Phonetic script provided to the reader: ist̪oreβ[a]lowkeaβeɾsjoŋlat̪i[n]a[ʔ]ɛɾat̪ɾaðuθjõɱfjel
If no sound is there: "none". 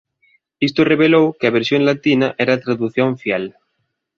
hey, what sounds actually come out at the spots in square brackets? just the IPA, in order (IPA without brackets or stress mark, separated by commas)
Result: e, n, ʔ